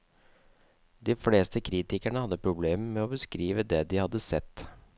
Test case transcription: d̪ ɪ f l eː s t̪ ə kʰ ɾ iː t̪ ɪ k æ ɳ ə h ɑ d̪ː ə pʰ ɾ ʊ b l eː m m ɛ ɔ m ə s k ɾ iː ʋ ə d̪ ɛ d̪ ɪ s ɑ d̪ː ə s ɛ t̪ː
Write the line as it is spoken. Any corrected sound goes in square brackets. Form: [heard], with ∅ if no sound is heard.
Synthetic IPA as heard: d̪ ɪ f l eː s t̪ ə kʰ ɾ iː t̪ ɪ k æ ɳ ə h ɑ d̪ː ə pʰ ɾ ʊ b l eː m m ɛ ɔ [b] ə s k ɾ iː ʋ ə d̪ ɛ d̪ ɪ [h] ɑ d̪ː ə s ɛ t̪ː